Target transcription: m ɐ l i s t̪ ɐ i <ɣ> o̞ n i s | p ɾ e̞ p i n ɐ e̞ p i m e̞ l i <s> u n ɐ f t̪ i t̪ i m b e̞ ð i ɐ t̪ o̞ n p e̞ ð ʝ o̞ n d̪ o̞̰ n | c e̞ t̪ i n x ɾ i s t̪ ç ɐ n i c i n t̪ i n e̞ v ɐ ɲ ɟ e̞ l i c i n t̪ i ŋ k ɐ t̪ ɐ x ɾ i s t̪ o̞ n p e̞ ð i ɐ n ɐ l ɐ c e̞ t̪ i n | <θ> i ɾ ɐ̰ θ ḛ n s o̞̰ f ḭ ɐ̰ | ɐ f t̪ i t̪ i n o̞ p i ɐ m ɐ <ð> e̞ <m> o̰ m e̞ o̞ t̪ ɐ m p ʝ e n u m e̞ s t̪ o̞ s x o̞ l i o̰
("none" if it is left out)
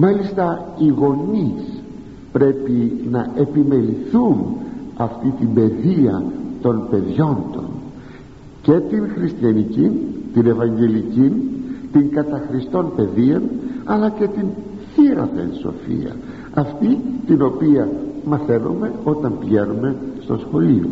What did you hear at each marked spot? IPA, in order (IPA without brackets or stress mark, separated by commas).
ɣ, θ, θ, θ, n